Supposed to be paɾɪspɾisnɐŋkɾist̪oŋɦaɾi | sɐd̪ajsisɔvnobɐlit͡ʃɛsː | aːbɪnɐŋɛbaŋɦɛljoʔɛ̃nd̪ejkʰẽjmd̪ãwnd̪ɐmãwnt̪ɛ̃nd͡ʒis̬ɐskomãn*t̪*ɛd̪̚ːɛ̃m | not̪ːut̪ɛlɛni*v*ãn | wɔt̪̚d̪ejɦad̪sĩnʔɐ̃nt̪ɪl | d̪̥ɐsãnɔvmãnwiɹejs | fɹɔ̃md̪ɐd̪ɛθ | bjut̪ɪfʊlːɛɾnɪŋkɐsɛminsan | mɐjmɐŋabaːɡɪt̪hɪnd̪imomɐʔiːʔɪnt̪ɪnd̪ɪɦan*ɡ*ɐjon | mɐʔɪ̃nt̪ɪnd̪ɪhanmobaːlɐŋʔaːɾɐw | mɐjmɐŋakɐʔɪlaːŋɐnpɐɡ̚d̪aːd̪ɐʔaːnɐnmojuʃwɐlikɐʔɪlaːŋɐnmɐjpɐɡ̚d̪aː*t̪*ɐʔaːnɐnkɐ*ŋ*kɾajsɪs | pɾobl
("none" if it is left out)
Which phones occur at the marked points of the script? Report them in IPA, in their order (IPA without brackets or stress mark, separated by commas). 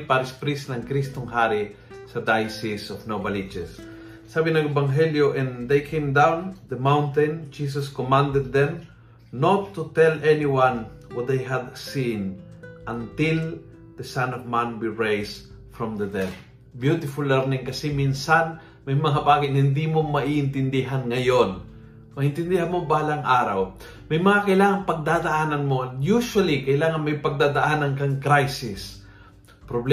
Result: d̪, w, ŋ, d̪, ŋ